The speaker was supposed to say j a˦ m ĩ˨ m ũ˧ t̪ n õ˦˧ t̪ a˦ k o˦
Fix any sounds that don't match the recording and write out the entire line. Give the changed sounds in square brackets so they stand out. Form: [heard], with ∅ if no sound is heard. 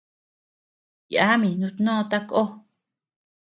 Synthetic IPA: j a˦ m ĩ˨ [n] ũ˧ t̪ n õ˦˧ t̪ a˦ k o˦